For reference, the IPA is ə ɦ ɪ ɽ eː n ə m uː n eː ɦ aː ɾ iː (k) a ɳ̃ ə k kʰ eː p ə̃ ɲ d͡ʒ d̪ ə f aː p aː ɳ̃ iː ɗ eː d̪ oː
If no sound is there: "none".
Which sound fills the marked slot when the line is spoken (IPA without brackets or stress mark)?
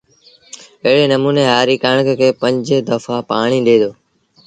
k